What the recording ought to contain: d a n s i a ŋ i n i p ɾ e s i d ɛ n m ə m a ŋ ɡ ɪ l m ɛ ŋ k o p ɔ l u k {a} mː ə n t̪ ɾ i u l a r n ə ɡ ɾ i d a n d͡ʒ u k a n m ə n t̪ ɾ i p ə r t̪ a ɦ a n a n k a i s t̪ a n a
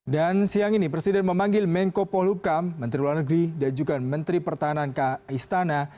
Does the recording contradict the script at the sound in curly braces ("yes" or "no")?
no